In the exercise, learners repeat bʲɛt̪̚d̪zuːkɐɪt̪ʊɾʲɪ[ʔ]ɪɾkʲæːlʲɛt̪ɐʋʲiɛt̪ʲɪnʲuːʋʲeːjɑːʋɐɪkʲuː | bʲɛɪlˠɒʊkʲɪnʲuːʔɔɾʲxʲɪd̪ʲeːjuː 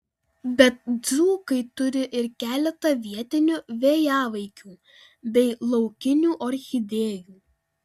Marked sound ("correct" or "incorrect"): correct